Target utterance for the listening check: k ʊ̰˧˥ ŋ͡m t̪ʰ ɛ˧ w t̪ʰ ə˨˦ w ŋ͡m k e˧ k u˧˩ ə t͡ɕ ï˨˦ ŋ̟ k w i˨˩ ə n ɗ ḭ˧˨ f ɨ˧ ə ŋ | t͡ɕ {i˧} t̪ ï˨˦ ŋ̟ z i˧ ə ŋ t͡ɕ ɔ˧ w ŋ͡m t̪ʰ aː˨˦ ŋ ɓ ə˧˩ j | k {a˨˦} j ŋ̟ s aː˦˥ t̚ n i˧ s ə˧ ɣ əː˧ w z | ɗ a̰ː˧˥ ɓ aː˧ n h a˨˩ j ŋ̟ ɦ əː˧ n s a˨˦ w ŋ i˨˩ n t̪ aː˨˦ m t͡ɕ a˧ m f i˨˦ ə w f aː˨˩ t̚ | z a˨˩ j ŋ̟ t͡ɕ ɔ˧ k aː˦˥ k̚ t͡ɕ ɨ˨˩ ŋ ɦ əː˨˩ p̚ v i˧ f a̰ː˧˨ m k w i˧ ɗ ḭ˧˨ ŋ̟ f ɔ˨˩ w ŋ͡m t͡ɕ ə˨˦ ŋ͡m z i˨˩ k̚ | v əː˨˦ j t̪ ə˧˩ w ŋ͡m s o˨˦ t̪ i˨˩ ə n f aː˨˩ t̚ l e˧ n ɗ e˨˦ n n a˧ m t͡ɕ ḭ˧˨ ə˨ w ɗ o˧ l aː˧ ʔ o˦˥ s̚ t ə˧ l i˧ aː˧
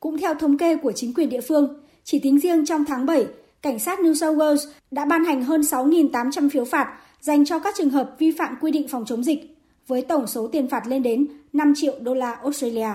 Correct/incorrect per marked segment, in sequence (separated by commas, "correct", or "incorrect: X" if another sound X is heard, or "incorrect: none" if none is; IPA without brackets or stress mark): incorrect: i˧˩, incorrect: a˧˩